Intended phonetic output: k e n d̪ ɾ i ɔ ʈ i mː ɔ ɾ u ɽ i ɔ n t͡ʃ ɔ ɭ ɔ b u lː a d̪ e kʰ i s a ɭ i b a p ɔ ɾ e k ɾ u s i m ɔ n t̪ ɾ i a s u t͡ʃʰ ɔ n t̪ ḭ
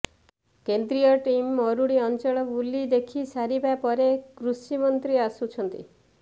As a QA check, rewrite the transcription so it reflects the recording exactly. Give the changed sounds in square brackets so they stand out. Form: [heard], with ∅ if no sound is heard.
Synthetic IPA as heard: k e n d̪ ɾ i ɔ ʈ i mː ɔ ɾ u ɽ i ɔ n t͡ʃ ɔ ɭ ɔ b u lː [i] d̪ e kʰ i s a [ɾ] i b a p ɔ ɾ e k ɾ u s i m ɔ n t̪ ɾ i a s u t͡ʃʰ ɔ n t̪ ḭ